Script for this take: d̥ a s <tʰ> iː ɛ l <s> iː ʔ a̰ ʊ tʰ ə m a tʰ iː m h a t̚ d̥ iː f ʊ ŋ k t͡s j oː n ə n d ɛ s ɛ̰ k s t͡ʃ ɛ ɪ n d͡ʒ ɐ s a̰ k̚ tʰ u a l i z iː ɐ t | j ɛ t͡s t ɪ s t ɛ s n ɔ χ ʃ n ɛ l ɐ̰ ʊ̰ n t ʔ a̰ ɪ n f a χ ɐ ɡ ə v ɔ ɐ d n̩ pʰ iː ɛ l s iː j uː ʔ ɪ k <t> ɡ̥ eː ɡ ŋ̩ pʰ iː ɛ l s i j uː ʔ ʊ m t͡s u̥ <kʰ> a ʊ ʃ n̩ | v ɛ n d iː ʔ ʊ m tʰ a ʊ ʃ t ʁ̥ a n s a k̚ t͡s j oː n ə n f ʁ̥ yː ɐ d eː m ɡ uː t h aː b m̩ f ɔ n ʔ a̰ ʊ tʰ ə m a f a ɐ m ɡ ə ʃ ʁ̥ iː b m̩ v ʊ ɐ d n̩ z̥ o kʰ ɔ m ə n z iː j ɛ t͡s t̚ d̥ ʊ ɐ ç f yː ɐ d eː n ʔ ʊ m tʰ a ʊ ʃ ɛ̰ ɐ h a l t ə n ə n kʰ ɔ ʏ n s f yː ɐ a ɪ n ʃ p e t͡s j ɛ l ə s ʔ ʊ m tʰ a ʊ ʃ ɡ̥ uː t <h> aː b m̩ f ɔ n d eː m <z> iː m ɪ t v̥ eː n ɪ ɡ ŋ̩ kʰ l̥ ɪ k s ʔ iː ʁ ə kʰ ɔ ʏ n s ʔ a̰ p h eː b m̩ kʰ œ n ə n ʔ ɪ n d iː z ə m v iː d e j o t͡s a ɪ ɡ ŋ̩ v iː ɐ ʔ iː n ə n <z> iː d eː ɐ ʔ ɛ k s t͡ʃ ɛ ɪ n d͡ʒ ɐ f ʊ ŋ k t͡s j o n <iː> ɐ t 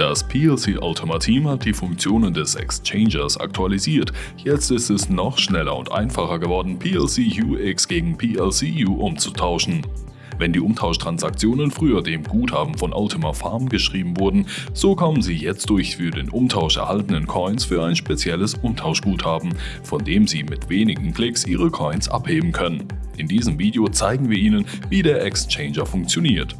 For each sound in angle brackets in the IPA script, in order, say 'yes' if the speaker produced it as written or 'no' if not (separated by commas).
no, yes, no, no, yes, yes, no, yes